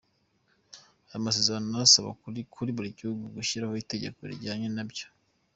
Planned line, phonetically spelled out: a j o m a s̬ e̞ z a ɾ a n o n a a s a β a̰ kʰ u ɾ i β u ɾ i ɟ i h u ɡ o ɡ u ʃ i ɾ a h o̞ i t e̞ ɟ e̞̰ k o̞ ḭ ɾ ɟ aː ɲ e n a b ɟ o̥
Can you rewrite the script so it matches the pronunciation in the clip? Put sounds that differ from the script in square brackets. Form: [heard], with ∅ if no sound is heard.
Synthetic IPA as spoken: a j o m a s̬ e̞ z a ɾ a n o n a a s a β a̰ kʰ u ɾ i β u ɾ i ɟ i h u ɡ [u] ɡ u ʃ i ɾ a h o̞ i t e̞ ɟ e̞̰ k o̞ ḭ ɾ ɟ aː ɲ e n a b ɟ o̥